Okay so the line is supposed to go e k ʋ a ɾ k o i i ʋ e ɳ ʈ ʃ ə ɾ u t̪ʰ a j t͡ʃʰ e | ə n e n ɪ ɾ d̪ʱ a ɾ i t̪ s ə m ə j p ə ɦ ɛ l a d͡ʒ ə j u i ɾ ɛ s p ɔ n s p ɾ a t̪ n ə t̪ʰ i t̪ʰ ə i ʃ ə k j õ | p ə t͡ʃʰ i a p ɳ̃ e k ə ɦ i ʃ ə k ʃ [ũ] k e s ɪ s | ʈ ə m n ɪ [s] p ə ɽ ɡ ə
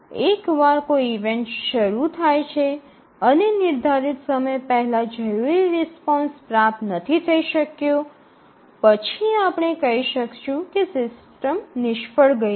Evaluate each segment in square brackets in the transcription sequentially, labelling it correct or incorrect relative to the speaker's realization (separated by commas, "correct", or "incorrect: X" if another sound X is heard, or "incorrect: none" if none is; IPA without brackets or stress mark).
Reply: correct, incorrect: ʃ